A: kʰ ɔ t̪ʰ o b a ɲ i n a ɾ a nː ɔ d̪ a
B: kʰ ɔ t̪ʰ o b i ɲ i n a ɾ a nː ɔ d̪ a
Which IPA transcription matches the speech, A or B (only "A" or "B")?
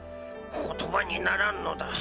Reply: A